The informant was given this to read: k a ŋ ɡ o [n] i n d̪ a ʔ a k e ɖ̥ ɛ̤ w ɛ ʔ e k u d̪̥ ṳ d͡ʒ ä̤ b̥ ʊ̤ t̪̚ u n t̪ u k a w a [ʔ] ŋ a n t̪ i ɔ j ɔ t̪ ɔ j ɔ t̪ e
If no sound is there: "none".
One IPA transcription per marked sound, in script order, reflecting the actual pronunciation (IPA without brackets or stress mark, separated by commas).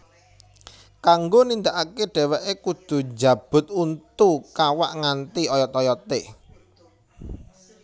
n, ʔ